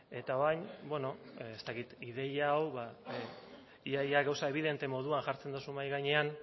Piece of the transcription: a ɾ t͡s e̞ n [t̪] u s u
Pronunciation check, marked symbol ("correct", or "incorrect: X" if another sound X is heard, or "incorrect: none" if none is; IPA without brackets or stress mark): incorrect: d̪